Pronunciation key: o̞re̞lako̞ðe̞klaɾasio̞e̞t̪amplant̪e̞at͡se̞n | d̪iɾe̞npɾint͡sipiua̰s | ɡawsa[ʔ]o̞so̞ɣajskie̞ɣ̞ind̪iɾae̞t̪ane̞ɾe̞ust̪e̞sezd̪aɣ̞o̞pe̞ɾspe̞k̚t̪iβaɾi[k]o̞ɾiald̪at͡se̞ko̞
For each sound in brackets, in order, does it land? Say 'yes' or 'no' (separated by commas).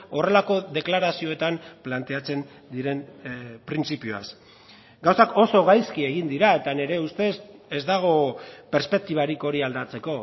no, yes